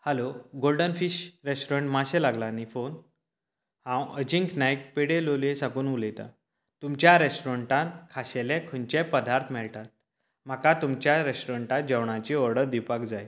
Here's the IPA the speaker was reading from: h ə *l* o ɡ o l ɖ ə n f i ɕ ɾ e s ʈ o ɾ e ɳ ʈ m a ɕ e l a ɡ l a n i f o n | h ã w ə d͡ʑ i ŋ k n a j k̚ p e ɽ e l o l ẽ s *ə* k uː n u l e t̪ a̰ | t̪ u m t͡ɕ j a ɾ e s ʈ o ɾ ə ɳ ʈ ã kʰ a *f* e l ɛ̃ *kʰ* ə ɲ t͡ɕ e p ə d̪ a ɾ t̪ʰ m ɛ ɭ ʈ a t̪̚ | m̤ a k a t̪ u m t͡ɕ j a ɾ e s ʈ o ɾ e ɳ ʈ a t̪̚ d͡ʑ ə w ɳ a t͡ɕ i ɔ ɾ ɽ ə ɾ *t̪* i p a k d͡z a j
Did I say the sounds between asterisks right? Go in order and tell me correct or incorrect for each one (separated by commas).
correct, incorrect, incorrect, correct, incorrect